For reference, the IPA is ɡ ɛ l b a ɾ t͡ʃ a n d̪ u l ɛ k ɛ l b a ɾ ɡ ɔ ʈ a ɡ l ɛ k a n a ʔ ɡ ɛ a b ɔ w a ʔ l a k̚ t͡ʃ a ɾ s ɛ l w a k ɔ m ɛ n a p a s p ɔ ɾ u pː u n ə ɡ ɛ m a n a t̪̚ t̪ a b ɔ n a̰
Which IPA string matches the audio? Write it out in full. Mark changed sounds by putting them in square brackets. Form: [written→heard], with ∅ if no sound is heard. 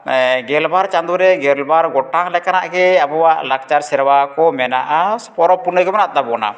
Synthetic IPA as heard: ɡ ɛ l b a ɾ t͡ʃ a n d̪ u [l→ɾ] ɛ [k→ɡ] ɛ l b a ɾ ɡ ɔ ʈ a [ɡ→ŋ] l ɛ k a n a ʔ ɡ ɛ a b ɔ w a ʔ l a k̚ t͡ʃ a ɾ s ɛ [l→ɾ] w a k ɔ m ɛ n a [p→ʔ] a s p ɔ ɾ [u→ɔ] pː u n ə ɡ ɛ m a n a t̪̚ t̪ a b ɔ n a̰